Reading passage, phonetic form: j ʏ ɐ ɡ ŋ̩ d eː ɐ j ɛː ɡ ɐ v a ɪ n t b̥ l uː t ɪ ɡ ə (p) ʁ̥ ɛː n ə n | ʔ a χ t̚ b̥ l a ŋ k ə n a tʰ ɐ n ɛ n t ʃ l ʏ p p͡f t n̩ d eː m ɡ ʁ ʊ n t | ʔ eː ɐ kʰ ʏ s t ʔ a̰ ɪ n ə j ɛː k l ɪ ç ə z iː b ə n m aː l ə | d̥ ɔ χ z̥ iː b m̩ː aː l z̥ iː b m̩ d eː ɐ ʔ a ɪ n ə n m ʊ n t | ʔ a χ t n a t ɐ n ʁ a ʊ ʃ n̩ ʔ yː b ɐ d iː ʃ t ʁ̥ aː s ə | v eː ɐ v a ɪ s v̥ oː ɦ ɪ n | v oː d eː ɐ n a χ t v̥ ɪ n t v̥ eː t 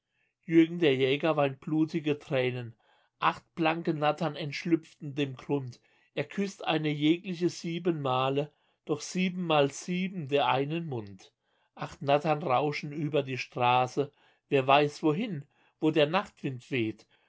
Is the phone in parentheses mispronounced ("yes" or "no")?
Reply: yes